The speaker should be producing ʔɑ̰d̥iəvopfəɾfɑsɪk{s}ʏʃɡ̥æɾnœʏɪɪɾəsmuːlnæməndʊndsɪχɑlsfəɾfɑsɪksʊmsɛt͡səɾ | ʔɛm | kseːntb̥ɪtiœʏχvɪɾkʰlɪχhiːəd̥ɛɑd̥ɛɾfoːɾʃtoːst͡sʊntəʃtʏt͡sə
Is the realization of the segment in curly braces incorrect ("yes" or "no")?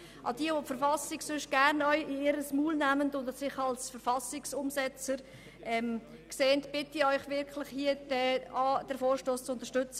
no